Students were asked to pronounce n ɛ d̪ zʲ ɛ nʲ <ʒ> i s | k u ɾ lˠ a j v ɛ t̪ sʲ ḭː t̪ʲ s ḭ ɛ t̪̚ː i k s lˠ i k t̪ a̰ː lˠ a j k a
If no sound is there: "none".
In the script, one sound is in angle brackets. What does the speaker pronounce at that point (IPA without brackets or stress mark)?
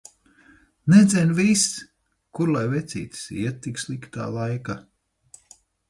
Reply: v